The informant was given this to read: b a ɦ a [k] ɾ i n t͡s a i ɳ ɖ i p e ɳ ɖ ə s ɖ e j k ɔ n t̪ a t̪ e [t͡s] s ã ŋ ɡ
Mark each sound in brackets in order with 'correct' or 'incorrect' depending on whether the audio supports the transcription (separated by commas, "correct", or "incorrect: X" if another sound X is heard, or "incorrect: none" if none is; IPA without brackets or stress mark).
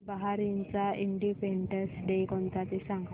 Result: incorrect: none, incorrect: none